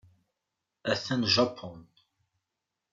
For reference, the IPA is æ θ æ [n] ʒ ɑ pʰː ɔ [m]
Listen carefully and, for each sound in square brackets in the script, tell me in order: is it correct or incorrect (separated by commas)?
correct, incorrect